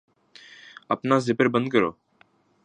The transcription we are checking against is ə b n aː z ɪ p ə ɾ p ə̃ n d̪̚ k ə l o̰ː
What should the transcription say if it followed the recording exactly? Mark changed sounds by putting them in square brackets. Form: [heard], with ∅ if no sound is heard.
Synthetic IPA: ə [p] n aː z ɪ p ə ɾ [b] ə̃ n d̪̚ k ə [ɾ] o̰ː